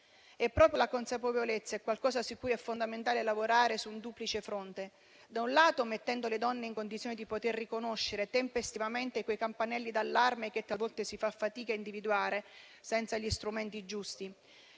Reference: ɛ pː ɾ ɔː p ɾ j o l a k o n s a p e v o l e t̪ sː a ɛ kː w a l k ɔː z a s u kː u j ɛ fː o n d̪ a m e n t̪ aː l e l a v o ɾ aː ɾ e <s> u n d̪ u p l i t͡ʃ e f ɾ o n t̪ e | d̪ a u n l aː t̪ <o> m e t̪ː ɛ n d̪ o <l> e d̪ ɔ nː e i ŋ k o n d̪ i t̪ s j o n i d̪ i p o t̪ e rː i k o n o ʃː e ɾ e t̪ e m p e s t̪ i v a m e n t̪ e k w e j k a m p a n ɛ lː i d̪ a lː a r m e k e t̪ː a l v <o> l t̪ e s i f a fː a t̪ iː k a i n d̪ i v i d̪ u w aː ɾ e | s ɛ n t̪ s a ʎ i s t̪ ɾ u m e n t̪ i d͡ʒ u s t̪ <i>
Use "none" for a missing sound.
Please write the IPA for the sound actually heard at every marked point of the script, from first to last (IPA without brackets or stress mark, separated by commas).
s, o, l, ɔ, i